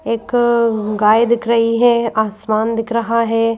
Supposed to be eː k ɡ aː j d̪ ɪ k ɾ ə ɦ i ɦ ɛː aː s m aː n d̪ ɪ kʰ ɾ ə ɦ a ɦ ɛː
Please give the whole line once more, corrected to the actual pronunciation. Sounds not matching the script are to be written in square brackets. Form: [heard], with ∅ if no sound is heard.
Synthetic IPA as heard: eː k ɡ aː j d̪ ɪ k ɾ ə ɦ i ɦ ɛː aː s m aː n d̪ ɪ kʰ ɾ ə ɦ a ɦ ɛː